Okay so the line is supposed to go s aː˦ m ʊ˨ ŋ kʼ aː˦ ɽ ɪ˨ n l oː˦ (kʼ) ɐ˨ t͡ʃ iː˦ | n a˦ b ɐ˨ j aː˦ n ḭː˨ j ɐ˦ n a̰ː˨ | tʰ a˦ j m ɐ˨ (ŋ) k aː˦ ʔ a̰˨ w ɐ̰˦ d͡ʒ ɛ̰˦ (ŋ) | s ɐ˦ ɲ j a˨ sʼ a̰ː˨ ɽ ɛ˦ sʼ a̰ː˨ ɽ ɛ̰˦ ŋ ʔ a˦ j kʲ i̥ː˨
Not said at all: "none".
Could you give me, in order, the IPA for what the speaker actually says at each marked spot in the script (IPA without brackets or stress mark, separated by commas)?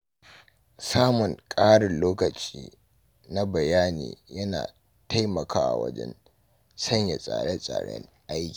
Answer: k, none, n